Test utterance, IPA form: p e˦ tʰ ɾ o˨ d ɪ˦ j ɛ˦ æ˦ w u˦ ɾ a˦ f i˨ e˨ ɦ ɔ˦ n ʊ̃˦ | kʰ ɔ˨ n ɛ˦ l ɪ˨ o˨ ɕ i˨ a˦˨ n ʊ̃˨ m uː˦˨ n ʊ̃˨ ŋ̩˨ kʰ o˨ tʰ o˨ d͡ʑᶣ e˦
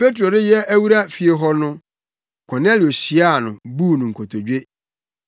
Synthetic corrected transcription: p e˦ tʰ ɾ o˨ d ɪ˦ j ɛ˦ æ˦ w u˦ ɾ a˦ f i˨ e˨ ɦ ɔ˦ n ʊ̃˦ | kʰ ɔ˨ n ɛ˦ l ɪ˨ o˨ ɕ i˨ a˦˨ n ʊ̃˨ b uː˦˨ n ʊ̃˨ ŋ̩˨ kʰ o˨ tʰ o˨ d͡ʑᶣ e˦